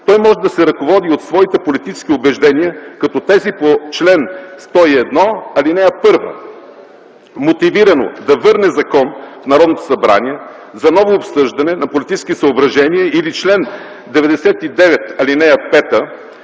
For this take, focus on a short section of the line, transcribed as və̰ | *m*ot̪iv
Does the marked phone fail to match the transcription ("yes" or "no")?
no